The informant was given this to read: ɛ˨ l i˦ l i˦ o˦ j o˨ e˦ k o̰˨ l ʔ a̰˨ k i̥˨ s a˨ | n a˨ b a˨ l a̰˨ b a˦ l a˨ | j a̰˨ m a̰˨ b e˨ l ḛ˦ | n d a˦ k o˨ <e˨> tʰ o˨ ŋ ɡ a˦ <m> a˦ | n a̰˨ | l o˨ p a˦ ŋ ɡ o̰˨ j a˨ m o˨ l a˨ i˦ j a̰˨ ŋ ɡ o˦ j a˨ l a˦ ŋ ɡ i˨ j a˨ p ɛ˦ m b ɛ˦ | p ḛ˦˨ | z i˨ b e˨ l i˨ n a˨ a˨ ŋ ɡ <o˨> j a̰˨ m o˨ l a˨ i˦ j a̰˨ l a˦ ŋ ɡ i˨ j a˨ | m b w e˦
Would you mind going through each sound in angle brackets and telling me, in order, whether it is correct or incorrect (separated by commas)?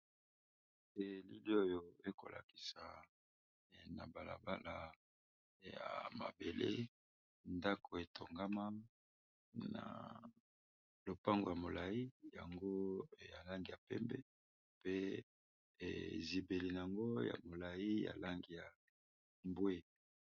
correct, correct, incorrect